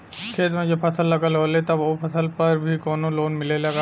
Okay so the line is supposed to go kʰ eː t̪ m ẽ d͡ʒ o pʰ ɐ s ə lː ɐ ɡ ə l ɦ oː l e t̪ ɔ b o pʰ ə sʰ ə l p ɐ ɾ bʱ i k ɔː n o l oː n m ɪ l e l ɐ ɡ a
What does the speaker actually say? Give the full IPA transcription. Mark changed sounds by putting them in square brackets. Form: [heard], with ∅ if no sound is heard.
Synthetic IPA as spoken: kʰ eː t̪ m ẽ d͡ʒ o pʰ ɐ s ə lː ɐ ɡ ə l ɦ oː l e t̪ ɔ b o pʰ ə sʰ ə l p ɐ ɾ bʱ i k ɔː n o l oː n m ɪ l e l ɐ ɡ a